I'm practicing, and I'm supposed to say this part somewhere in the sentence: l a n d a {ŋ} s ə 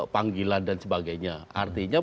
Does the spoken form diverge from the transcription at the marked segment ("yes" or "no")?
yes